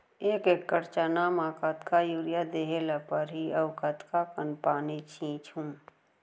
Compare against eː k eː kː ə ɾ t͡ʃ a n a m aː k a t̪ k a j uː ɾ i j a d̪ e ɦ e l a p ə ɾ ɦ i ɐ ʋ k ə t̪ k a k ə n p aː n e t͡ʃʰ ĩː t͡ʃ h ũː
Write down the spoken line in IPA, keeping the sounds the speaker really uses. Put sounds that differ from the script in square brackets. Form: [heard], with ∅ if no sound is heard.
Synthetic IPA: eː k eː kː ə ɾ t͡ʃ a n a m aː k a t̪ k a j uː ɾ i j a d̪ e ɦ e l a p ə ɾ ɦ i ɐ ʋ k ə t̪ k a k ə n p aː n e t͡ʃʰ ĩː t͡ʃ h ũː